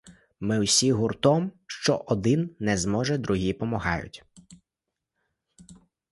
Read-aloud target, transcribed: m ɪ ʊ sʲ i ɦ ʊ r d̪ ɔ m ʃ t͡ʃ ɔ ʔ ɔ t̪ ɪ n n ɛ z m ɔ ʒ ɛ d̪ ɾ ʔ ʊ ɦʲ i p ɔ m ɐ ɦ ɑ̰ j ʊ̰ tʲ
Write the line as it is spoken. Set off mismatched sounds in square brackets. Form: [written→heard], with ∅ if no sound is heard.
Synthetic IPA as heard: m ɪ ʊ sʲ i ɦ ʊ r [d̪→t̪] ɔ m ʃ t͡ʃ ɔ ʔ ɔ [t̪→d̪] ɪ n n ɛ z m ɔ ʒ ɛ d̪ ɾ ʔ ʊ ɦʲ i p ɔ m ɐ ɦ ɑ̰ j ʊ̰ tʲ